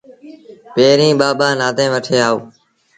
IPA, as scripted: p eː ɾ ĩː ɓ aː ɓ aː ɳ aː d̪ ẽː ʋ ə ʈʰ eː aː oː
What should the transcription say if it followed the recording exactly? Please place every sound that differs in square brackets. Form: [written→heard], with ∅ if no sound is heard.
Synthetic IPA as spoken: p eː ɾ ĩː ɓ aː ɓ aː [ɳ→n] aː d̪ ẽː ʋ ə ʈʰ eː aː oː